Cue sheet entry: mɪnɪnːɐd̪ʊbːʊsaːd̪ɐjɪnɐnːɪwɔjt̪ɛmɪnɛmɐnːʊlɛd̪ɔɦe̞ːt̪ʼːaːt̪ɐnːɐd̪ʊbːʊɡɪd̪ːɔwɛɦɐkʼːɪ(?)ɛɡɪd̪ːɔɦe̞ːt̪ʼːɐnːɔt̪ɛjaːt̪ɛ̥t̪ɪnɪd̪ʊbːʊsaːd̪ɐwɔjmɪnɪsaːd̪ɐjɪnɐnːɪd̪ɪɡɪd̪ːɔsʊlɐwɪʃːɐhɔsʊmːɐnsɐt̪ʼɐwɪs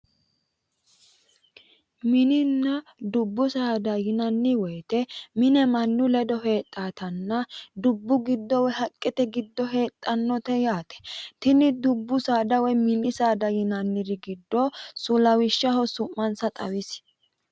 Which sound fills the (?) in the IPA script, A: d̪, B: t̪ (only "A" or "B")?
B